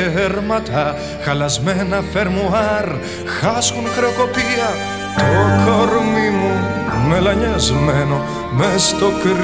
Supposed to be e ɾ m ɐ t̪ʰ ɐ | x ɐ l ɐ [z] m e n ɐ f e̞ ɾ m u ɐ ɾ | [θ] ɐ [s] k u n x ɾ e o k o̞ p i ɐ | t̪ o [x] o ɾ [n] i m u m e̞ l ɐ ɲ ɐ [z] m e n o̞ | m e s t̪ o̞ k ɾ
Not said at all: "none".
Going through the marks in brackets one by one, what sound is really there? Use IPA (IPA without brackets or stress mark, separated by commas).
z, x, s, k, m, z